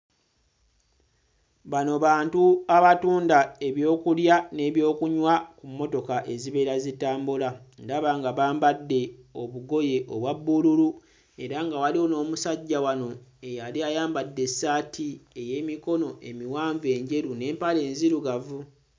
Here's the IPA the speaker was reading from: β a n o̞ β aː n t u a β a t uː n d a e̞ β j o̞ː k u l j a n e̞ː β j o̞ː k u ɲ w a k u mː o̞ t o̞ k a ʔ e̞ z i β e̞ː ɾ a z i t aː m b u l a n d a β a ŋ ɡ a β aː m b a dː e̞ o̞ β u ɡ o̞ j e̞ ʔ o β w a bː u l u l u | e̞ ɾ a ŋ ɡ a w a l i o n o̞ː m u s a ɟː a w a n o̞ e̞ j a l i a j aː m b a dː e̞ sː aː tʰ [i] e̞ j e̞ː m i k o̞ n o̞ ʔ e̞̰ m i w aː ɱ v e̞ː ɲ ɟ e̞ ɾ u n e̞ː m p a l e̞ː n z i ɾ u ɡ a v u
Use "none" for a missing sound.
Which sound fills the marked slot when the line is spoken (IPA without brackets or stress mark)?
i